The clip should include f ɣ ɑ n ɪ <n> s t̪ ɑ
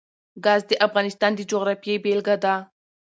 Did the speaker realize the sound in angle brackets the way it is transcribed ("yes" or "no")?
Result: no